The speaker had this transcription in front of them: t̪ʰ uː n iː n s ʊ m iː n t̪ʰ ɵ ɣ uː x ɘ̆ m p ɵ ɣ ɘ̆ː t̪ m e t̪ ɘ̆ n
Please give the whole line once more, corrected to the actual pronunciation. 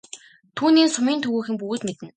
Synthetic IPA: t̪ʰ uː n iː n s ʊ m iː n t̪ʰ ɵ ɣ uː x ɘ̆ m p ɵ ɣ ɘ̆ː t̪ m e t̪ ɘ̆ n